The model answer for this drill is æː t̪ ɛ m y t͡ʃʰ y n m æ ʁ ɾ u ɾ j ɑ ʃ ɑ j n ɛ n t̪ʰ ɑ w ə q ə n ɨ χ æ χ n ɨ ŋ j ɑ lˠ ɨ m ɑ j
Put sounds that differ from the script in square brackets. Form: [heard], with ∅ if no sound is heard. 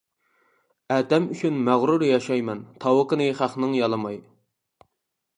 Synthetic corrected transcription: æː [d̪] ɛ m y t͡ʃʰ y n m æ ʁ ɾ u ɾ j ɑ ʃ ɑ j [m] ɛ n t̪ʰ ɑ w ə q ə n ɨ χ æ χ n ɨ ŋ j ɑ lˠ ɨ m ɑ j